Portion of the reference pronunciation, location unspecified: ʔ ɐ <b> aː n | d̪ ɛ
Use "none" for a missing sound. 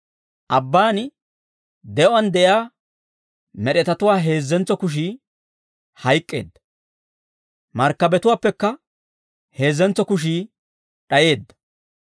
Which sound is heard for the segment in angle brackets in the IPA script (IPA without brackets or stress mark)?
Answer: bː